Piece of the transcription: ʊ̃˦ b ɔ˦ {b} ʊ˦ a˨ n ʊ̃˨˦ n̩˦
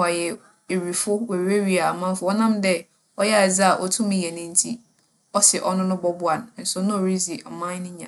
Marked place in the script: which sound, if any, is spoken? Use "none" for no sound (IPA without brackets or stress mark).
b